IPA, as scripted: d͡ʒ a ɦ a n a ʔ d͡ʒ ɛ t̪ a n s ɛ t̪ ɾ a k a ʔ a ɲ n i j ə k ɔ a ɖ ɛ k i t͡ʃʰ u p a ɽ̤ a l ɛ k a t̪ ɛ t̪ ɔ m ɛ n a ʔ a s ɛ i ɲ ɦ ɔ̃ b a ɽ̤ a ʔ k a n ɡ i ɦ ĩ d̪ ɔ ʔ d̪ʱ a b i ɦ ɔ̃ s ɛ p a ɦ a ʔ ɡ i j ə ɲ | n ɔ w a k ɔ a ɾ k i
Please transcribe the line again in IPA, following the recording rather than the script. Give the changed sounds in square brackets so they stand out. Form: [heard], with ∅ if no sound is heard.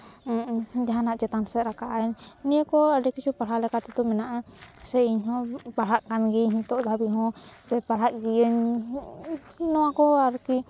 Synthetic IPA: d͡ʒ a ɦ a n a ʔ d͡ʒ ɛ t̪ a n s ɛ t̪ ɾ a k a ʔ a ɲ n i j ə k ɔ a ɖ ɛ k i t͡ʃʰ u p a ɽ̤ a l ɛ k a t̪ ɛ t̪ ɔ m ɛ n a ʔ a s ɛ i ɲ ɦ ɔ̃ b a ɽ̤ a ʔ k a n ɡ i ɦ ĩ [t̪] ɔ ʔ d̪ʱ a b i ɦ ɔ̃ s ɛ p a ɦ a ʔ ɡ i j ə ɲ | n ɔ w a k ɔ a ɾ k i